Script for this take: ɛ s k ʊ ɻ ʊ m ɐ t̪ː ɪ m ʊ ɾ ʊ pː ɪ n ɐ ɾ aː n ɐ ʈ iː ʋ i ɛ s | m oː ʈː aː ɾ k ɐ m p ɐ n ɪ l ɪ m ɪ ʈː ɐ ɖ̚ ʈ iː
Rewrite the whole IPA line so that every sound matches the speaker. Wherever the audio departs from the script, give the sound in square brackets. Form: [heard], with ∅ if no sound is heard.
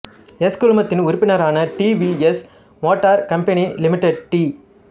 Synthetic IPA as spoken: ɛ s k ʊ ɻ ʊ m ɐ t̪ː ɪ [n] ʊ ɾ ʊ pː ɪ n ɐ ɾ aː n ɐ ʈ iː ʋ i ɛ s | m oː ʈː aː ɾ k ɐ m p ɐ n [i] l ɪ m ɪ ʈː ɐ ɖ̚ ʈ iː